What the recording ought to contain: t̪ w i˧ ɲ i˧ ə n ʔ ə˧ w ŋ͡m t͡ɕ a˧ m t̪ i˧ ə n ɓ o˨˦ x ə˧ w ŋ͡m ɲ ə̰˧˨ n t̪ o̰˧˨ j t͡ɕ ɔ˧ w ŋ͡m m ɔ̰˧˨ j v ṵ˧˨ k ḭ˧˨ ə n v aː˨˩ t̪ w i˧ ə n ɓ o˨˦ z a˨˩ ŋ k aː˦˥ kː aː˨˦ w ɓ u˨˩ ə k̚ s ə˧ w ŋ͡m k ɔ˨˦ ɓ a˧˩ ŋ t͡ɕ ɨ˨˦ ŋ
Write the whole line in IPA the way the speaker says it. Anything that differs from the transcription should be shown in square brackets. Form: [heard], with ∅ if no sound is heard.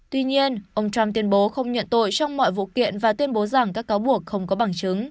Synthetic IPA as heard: t̪ w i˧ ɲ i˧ ə n ʔ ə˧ w ŋ͡m t͡ɕ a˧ m t̪ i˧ ə n ɓ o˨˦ x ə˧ w ŋ͡m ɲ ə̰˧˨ n t̪ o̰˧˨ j t͡ɕ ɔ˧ w ŋ͡m m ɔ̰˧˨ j v ṵ˧˨ k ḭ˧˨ ə n v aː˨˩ t̪ w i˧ ə n ɓ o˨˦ z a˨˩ ŋ k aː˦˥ kː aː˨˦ w ɓ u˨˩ ə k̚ [x] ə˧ w ŋ͡m k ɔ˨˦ ɓ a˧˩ ŋ t͡ɕ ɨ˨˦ ŋ